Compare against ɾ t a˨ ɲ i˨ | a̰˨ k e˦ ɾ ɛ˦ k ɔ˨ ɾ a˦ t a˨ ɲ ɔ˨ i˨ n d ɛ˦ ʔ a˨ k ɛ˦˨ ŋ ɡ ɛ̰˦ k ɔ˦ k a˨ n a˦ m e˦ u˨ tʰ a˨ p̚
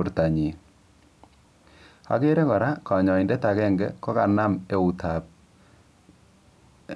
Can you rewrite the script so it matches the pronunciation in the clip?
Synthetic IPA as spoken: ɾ t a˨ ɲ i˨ | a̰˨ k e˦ ɾ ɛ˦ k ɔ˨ ɾ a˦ k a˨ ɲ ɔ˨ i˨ n d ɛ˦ t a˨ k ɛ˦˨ ŋ ɡ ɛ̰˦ k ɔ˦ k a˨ n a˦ m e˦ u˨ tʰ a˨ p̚